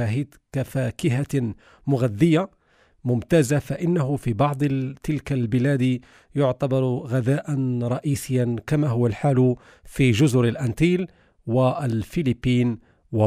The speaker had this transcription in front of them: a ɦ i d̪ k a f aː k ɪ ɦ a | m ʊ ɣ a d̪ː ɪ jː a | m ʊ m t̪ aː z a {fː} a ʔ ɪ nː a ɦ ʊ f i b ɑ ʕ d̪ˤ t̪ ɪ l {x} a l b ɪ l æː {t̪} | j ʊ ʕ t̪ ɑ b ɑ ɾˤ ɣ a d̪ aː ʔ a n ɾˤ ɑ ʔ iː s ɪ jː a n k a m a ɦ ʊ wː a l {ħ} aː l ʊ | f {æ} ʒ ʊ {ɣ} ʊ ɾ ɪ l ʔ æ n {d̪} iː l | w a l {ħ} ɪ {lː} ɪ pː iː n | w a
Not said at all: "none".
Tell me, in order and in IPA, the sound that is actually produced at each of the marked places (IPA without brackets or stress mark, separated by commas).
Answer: f, k, d̪, ħ, i, z, t̪, f, l